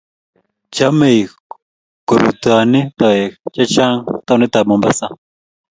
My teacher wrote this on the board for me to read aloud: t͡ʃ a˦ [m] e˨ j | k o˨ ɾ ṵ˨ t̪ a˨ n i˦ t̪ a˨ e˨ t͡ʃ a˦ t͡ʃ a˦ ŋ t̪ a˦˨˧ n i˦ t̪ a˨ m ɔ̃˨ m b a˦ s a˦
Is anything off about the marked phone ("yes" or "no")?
no